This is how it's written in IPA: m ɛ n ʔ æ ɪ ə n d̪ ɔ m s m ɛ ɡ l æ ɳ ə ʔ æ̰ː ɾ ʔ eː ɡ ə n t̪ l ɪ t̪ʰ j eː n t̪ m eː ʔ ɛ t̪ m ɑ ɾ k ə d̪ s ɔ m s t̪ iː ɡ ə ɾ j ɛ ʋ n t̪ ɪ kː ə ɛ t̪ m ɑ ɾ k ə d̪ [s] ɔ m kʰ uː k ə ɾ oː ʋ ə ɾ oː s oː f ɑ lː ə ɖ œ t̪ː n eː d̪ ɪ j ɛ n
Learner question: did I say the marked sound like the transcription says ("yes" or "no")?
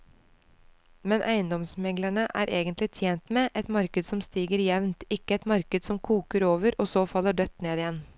yes